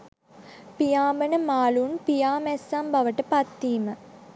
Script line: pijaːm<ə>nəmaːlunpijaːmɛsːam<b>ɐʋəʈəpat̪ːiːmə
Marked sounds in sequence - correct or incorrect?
correct, correct

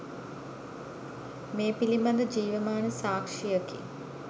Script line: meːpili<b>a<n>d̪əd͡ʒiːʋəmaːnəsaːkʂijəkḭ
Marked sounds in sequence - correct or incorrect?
incorrect: m, correct

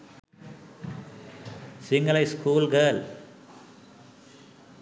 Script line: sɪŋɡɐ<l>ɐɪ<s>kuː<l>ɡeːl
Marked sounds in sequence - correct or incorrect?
correct, correct, correct

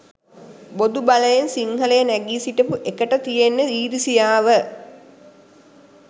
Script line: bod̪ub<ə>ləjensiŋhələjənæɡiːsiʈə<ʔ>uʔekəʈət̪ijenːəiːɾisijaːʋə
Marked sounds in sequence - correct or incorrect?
incorrect: a, incorrect: p

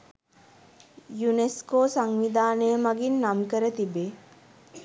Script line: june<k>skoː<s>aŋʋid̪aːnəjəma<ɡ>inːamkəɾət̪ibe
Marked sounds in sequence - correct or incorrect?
incorrect: none, correct, correct

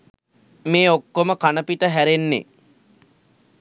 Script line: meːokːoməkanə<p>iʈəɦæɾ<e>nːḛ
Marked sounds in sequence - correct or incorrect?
correct, correct

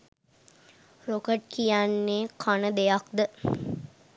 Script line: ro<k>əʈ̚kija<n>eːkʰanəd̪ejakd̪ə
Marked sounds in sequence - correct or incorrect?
correct, incorrect: nː

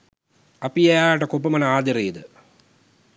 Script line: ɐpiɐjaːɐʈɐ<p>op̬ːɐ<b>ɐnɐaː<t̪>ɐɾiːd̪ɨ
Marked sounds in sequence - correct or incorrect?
incorrect: k, incorrect: m, incorrect: d̪

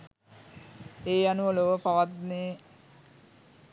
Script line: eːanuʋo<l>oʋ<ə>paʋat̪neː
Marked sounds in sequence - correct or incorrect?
correct, correct

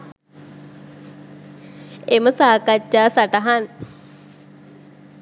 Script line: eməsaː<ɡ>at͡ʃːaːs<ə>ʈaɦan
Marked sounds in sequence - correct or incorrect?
incorrect: k, incorrect: a

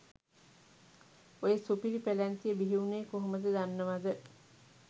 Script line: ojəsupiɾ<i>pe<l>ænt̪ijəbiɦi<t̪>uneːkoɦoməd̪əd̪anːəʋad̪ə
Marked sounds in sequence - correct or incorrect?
correct, correct, incorrect: none

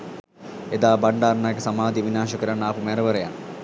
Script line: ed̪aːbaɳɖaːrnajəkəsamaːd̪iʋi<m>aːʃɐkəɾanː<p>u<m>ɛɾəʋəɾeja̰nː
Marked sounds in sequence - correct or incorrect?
incorrect: n, correct, correct

